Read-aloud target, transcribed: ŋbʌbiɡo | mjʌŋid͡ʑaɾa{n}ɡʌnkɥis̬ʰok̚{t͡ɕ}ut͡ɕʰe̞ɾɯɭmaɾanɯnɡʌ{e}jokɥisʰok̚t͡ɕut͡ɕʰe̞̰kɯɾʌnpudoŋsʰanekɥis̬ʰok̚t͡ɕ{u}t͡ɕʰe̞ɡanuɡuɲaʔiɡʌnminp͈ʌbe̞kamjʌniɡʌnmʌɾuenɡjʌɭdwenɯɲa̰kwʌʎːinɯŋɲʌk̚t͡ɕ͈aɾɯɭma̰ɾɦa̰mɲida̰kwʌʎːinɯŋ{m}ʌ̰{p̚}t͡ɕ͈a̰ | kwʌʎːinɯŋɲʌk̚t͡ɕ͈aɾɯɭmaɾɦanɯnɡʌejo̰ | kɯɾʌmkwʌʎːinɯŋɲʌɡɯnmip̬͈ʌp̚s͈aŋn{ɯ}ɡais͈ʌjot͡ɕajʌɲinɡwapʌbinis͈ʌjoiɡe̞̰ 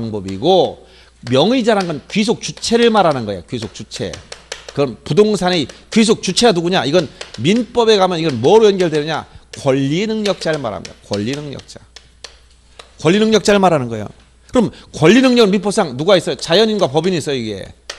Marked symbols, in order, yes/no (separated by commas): yes, yes, yes, yes, no, no, no